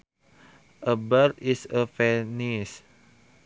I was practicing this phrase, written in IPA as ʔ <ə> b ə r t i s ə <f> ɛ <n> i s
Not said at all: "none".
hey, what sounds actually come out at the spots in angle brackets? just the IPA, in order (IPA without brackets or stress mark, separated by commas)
ə, f, n